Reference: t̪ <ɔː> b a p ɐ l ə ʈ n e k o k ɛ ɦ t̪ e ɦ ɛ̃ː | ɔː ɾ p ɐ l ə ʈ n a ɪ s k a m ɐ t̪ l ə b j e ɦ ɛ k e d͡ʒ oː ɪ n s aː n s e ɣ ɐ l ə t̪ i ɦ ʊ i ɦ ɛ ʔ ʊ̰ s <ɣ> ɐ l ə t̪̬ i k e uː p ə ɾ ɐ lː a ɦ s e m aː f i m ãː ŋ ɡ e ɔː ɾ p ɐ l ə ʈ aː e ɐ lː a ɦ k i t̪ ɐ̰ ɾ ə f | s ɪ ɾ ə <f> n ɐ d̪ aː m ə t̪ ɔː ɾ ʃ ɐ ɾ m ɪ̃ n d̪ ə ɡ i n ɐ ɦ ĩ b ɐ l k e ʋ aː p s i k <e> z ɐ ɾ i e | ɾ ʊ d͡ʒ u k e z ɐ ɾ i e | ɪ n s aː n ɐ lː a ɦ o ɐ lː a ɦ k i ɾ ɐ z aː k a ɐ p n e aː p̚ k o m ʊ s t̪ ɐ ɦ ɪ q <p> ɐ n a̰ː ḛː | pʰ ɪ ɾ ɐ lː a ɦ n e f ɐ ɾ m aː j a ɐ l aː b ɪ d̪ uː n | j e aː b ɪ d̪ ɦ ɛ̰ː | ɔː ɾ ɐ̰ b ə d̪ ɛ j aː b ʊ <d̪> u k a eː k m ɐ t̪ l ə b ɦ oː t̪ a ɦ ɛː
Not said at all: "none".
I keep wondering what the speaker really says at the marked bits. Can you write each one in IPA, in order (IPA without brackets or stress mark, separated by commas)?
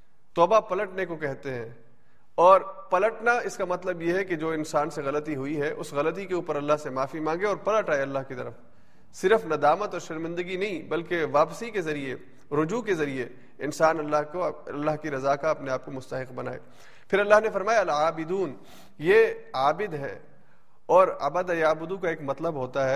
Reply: ɔː, ɣ, f, e, b, d̪